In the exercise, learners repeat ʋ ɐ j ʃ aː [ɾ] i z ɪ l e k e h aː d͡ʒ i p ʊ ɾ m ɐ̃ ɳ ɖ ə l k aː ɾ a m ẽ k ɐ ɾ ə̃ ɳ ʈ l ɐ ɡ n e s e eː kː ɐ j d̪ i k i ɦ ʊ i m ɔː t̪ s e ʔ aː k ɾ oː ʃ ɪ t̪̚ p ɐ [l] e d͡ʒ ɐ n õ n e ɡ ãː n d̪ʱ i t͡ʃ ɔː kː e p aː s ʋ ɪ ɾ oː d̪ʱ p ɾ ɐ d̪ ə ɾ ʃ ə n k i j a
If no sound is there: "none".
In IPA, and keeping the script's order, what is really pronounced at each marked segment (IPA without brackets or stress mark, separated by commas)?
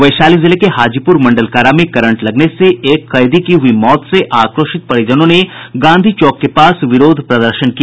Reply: l, ɽ